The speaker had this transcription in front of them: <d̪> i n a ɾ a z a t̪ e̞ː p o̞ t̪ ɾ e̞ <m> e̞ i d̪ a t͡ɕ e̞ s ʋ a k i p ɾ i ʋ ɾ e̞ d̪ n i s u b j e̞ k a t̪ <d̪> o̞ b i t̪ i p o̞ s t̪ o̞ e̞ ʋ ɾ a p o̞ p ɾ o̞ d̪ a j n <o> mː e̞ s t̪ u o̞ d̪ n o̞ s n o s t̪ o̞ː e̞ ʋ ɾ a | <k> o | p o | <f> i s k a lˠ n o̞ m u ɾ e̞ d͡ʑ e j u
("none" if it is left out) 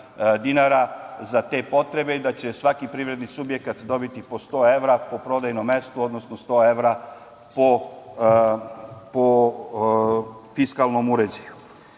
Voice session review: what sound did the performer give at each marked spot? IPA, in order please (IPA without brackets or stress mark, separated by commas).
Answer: d̪, b, d̪, o, p, f